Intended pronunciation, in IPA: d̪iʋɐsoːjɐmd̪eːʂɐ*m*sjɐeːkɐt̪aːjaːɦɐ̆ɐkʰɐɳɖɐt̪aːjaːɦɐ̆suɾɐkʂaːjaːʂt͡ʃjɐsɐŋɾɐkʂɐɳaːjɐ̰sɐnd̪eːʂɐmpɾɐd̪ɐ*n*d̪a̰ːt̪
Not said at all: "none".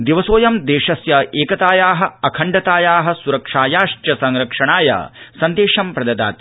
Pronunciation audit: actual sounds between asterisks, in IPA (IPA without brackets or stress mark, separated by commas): none, none